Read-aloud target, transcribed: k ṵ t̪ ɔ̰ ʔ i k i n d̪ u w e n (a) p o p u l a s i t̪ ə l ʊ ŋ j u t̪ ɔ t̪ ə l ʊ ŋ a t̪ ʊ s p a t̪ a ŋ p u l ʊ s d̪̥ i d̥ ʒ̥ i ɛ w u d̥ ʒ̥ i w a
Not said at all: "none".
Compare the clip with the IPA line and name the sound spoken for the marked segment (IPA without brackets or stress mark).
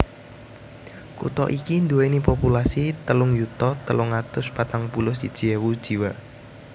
i